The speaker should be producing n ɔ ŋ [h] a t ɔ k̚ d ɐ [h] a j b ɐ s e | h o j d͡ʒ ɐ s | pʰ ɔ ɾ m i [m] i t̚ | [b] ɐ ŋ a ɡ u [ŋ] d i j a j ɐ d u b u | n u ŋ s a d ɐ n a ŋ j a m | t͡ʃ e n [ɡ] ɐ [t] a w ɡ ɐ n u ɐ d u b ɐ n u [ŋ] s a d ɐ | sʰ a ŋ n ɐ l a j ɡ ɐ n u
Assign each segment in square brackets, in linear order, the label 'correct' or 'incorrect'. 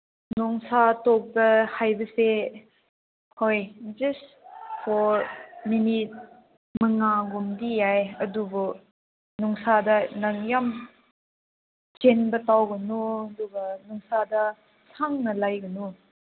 incorrect: s, correct, incorrect: n, incorrect: m, incorrect: m, incorrect: b, correct, correct

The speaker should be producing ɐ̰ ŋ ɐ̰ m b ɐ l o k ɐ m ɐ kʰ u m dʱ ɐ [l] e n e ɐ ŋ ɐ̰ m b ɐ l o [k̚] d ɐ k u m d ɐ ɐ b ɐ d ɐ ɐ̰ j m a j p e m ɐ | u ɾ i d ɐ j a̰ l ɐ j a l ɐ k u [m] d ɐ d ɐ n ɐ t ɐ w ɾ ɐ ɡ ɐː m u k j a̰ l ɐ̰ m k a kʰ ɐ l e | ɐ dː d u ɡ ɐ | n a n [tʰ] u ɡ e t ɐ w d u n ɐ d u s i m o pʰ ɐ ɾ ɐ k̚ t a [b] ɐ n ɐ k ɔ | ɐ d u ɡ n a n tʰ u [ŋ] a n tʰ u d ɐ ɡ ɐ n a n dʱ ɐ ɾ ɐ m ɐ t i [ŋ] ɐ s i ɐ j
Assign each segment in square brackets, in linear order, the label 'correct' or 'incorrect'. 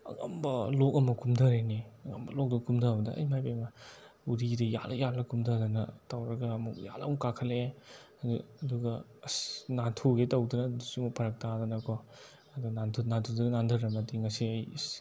incorrect: ɾ, correct, correct, correct, incorrect: d, incorrect: n, correct

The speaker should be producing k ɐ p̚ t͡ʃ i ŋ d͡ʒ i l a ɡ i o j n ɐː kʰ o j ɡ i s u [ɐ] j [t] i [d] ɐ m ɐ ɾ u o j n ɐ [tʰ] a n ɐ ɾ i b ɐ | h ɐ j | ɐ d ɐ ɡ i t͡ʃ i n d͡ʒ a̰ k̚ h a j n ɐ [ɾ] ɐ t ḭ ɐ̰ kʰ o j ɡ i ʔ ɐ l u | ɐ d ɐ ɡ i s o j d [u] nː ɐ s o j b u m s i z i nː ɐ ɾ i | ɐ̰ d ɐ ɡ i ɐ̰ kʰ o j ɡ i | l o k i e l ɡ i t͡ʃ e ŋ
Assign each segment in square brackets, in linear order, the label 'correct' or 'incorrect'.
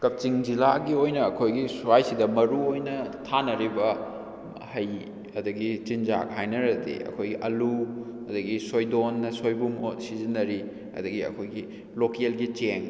incorrect: a, incorrect: s, correct, correct, correct, incorrect: o

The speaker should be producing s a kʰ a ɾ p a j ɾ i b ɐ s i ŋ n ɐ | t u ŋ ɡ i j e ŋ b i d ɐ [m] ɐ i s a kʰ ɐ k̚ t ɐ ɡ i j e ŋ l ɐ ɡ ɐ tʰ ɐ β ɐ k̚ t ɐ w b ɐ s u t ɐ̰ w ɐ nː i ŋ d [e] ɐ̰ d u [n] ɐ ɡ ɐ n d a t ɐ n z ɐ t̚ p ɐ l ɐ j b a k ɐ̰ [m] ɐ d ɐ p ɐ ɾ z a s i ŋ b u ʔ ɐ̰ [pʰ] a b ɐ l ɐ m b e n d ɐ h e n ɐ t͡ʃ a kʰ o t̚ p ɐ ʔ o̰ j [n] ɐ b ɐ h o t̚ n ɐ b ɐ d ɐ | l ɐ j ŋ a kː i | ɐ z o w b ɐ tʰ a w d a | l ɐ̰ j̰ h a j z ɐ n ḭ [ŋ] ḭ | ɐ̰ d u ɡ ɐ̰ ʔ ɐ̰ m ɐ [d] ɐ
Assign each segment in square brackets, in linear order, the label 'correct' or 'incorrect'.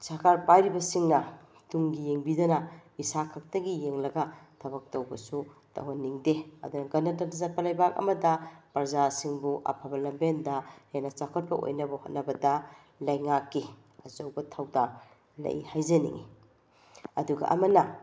incorrect: n, correct, correct, correct, correct, correct, correct, incorrect: n

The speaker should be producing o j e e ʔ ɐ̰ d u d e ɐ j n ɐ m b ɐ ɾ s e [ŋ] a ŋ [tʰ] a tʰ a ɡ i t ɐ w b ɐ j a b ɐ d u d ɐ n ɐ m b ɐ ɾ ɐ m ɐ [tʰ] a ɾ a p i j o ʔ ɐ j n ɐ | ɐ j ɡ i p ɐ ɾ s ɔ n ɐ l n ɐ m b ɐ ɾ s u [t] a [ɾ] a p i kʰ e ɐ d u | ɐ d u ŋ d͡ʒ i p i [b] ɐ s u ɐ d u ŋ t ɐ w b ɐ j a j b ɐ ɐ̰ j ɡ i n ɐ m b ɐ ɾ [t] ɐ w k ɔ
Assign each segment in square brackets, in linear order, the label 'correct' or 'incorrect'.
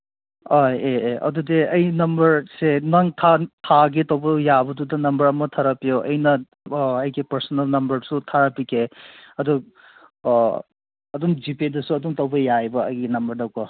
incorrect: n, correct, correct, incorrect: tʰ, correct, incorrect: d, incorrect: d

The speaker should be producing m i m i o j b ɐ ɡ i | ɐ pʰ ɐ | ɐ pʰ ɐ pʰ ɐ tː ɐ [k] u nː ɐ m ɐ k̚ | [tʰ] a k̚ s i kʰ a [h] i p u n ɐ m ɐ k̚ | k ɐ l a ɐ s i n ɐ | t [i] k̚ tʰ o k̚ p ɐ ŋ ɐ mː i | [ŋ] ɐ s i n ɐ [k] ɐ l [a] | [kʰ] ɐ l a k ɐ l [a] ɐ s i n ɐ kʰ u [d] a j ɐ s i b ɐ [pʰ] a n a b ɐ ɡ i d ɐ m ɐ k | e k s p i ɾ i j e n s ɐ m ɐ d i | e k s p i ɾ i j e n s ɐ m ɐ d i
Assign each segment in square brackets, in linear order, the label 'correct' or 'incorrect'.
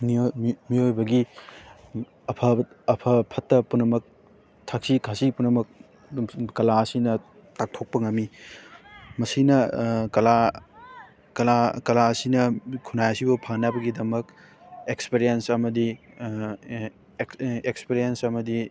incorrect: p, correct, incorrect: s, incorrect: a, incorrect: m, correct, correct, incorrect: k, correct, incorrect: n, correct

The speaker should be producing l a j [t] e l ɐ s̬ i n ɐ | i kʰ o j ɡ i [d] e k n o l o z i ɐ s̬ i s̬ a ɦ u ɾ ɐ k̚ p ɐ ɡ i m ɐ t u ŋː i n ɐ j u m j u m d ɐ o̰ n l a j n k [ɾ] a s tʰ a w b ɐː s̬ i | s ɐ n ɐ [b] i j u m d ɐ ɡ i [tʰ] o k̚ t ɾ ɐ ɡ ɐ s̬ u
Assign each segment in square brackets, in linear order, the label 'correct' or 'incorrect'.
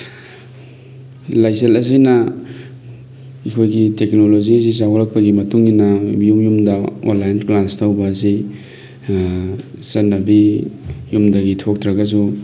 incorrect: s, incorrect: t, incorrect: l, correct, correct

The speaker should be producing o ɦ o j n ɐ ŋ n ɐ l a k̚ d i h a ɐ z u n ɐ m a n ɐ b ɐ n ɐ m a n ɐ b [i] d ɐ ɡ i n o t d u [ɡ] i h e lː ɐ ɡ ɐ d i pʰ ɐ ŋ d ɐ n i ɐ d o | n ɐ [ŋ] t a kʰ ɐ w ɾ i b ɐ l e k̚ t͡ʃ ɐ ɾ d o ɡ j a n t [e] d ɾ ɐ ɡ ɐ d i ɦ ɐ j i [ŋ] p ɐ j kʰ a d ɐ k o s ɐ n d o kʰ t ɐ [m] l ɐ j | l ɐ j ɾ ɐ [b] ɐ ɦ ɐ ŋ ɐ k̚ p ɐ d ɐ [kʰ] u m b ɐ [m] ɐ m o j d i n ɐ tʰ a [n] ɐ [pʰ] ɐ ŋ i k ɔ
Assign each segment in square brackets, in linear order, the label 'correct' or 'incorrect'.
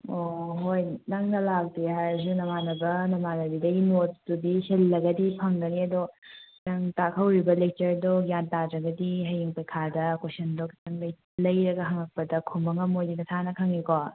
correct, incorrect: d, correct, incorrect: a, correct, incorrect: ŋ, incorrect: ɡ, correct, incorrect: ŋ, correct, incorrect: kʰ

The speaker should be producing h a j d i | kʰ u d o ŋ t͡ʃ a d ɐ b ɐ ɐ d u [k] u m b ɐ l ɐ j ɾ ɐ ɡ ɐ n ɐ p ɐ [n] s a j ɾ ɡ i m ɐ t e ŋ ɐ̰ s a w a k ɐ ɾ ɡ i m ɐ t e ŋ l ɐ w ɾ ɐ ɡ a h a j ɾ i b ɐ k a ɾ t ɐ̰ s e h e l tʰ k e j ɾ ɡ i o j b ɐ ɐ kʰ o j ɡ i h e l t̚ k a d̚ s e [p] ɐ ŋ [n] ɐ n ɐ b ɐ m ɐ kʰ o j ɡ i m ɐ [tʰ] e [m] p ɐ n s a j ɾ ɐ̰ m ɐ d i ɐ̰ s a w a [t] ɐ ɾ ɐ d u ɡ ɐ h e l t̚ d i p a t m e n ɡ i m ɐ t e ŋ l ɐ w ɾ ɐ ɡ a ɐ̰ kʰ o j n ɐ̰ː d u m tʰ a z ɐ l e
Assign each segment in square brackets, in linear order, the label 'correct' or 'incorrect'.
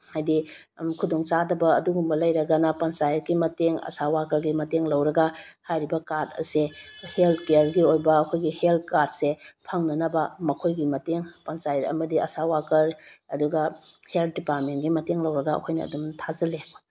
incorrect: ɡ, correct, incorrect: pʰ, correct, incorrect: t, incorrect: ŋ, incorrect: k

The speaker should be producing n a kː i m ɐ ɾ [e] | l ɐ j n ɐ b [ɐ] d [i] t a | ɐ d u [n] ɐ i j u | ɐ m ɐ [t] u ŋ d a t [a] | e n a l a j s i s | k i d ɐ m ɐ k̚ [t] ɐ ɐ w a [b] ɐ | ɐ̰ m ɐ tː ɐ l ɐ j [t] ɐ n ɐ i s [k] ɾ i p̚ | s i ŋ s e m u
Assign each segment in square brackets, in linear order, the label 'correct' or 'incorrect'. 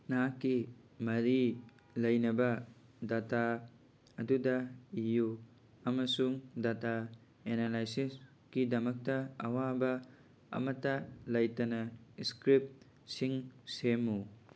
incorrect: i, correct, incorrect: a, incorrect: d, incorrect: s, correct, correct, correct, correct, correct

